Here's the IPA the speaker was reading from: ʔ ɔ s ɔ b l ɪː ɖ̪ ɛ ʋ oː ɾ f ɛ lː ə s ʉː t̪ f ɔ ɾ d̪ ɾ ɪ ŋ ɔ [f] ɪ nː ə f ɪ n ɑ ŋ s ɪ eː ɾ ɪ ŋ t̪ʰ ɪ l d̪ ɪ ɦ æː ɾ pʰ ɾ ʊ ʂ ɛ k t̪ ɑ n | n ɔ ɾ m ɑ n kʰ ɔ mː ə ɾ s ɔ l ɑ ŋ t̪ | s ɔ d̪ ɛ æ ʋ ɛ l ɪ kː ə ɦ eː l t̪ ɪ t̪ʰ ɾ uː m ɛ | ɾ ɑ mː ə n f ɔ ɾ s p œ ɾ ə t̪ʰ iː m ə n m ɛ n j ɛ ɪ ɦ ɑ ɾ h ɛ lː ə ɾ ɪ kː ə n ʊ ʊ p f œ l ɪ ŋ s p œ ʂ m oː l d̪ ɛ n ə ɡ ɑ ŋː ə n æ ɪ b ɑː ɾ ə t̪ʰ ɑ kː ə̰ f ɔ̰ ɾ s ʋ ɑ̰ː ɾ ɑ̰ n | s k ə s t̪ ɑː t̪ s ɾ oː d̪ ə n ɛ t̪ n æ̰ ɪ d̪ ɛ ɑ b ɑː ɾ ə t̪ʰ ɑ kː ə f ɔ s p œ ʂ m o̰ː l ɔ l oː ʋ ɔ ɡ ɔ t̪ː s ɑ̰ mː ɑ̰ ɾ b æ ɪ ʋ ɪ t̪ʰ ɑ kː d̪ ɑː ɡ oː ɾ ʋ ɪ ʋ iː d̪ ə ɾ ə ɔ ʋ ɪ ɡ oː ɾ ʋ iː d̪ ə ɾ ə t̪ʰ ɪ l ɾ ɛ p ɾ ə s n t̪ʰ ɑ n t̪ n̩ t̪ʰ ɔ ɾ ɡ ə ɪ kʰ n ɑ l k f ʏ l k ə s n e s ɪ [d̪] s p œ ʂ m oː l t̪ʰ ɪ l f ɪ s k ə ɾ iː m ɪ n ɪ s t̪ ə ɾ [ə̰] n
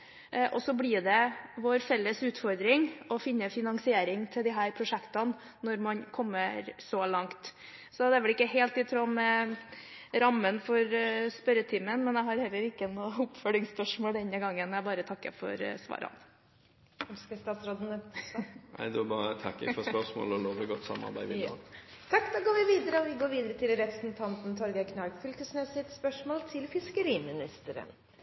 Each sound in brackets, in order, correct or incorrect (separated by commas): correct, incorrect, correct